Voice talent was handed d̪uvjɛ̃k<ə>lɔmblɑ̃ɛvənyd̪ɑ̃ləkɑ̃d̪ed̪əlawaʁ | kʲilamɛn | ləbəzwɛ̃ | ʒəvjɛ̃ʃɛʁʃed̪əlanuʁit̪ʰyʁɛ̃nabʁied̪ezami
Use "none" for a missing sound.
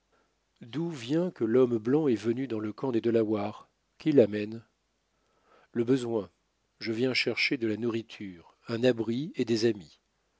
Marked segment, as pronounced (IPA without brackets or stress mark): ə